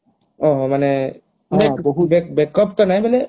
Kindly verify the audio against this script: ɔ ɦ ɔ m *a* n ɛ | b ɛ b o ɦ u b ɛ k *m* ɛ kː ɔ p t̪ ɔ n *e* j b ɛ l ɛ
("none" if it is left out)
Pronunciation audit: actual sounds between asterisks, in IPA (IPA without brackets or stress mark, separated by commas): a, b, a